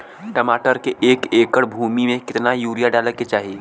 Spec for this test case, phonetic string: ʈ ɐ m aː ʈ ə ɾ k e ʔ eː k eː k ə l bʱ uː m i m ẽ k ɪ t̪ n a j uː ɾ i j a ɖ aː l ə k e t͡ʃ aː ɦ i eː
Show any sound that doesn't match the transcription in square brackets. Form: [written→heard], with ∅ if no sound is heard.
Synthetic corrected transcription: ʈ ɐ m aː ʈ ə ɾ k e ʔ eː k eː k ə [l→ɽ] bʱ uː m i m ẽ k ɪ t̪ n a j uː ɾ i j a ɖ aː l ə k e t͡ʃ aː ɦ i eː